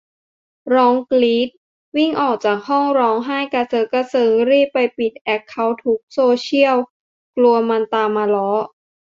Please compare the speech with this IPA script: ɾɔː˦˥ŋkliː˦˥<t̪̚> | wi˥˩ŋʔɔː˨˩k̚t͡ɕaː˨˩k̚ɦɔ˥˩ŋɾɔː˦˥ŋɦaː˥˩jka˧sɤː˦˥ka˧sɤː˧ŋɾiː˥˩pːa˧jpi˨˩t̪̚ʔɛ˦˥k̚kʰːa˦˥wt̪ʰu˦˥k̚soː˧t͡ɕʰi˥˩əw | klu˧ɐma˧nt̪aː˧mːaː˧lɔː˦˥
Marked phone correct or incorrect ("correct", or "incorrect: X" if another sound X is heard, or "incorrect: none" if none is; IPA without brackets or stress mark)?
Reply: correct